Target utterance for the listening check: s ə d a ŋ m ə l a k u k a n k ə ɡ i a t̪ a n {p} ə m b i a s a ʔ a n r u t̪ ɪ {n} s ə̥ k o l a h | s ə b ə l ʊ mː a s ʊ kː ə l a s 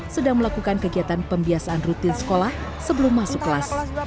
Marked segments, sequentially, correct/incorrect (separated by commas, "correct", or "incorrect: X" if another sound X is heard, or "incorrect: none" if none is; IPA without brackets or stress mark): correct, correct